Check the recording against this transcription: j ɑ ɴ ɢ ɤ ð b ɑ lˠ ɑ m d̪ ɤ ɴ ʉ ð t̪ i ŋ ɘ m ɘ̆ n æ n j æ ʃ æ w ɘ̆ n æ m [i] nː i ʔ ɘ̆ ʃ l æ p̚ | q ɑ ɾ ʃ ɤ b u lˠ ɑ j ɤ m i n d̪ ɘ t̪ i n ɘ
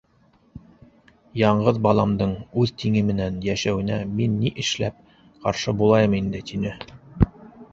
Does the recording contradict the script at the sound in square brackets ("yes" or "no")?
no